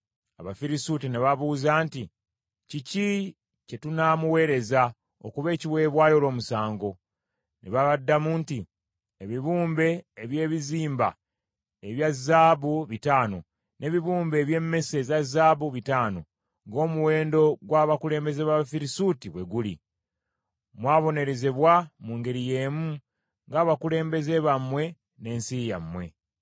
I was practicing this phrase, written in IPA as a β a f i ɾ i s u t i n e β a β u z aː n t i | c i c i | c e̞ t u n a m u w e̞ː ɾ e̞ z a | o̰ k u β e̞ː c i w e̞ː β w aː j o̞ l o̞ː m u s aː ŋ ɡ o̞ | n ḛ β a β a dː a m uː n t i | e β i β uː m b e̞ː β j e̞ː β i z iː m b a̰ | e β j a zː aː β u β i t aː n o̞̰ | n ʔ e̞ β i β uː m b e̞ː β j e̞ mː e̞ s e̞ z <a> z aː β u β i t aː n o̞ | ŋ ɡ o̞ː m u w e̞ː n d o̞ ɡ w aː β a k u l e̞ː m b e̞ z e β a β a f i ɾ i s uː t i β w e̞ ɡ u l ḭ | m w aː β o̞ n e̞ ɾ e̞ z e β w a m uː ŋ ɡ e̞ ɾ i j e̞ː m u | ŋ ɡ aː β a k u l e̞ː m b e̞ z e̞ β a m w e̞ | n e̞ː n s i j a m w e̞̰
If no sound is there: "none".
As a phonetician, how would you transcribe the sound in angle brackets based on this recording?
a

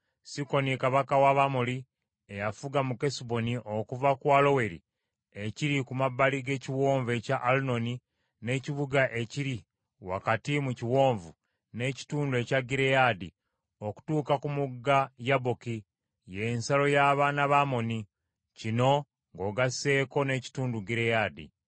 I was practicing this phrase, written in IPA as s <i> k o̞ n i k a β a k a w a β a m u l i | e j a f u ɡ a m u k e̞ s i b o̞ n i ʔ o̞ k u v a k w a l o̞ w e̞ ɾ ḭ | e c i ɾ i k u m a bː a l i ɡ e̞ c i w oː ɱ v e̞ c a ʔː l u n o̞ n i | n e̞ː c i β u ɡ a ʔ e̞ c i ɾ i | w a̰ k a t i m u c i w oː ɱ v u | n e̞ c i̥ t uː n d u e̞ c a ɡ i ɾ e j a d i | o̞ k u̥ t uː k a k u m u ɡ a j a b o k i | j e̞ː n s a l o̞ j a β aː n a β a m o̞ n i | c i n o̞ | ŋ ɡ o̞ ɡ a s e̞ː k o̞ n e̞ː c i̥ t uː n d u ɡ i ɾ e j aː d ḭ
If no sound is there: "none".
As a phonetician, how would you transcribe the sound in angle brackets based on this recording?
i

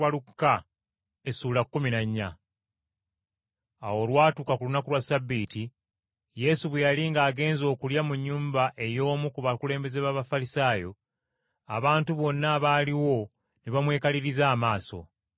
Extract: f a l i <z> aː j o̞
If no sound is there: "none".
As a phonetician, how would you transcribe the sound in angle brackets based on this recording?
s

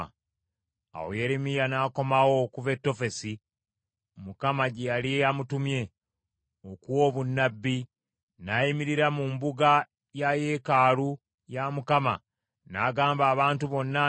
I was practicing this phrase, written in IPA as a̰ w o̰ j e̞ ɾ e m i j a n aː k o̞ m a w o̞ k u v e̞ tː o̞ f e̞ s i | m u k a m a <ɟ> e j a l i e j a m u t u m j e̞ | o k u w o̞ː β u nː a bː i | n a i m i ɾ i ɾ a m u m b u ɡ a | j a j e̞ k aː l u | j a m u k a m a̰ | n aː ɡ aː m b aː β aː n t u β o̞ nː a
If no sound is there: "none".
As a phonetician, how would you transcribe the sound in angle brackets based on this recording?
ɟ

